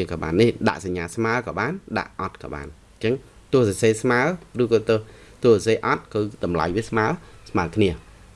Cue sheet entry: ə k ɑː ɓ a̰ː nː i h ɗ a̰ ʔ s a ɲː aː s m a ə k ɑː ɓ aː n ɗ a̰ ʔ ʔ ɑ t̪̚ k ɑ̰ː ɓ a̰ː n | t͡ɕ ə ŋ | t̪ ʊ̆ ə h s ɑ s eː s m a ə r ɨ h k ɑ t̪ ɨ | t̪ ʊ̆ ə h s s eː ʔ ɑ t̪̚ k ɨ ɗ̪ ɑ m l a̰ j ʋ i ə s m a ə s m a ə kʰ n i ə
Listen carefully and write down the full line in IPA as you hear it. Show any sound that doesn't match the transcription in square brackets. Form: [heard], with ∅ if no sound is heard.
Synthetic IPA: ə k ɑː ɓ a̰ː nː i h ɗ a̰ ʔ s a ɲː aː s m a ə k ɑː ɓ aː n ɗ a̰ ʔ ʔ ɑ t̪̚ k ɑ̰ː ɓ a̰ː n | t͡ɕ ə ŋ | t̪ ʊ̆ ə h s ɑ s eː s m a ə r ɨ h k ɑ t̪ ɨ | t̪ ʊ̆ ə h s s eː ʔ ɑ t̪̚ k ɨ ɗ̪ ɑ m l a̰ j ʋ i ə s m a ə s m a ə kʰ n i ə